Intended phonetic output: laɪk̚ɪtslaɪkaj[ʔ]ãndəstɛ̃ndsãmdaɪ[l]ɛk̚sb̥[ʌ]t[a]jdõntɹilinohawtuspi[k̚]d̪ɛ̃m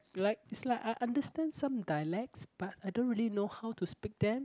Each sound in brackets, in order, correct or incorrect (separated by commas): correct, correct, incorrect, correct, correct